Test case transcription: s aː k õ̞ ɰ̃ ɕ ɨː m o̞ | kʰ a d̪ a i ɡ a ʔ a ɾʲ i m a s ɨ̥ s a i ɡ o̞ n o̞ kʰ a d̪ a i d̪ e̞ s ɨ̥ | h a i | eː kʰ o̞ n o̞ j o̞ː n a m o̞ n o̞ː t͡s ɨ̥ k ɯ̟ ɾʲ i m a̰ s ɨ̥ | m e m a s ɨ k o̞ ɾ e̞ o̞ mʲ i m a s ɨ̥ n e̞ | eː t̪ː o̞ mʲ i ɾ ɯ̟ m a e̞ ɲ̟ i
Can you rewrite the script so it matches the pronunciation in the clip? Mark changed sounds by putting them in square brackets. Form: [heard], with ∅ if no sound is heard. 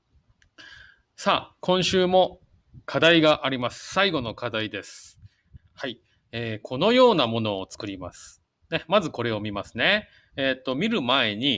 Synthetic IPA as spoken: s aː k õ̞ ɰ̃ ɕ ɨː m o̞ | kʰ a d̪ a i ɡ a ʔ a ɾʲ i m a s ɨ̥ s a i ɡ o̞ n o̞ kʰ a d̪ a i d̪ e̞ s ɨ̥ | h a i | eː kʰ o̞ n o̞ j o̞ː n a m o̞ n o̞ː t͡s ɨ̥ k ɯ̟ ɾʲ i m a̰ s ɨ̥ | [n] e m a [z] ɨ k o̞ ɾ e̞ o̞ mʲ i m a s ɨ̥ n e̞ | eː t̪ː o̞ mʲ i ɾ ɯ̟ m a e̞ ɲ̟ i